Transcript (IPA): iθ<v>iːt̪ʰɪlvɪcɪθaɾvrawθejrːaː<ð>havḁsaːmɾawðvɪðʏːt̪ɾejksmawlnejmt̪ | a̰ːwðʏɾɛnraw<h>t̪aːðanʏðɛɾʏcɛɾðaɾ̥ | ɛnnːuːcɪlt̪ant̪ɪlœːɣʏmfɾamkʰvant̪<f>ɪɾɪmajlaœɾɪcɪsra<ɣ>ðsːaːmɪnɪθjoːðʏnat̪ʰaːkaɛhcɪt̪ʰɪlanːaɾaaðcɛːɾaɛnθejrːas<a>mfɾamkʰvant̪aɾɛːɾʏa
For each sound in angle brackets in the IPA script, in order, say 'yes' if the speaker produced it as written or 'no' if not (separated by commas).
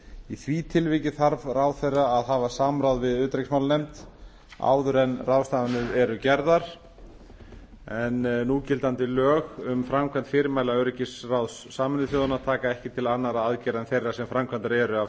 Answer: yes, yes, no, yes, no, no